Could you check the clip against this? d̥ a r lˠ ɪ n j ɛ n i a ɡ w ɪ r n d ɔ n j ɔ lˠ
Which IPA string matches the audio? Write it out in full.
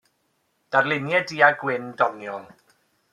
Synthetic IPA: d̥ a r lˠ ɪ n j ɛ d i a ɡ w ɪ n d ɔ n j ɔ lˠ